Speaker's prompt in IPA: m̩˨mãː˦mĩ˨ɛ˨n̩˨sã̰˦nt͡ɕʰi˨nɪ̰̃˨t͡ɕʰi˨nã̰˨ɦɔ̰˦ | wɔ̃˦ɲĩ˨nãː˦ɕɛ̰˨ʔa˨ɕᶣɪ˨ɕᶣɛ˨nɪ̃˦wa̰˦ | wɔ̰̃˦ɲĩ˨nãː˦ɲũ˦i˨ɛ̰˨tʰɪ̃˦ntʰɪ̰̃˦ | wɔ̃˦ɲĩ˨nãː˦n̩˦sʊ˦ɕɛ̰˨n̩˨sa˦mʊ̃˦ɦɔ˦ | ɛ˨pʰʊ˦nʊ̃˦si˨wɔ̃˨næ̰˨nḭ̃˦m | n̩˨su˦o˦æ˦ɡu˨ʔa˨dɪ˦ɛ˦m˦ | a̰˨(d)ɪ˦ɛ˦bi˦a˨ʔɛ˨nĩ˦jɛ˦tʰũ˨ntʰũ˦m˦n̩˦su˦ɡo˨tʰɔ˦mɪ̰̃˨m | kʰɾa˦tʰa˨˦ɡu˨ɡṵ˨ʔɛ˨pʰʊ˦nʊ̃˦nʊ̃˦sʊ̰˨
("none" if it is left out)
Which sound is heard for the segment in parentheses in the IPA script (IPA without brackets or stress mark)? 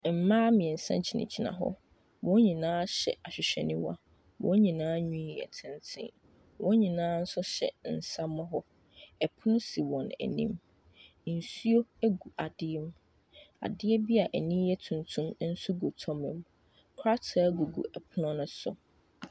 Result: d